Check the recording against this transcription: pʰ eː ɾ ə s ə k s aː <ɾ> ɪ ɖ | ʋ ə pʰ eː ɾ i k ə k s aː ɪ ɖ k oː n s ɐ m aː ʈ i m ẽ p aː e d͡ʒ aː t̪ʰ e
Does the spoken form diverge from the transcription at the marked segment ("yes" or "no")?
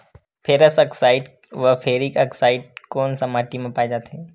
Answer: yes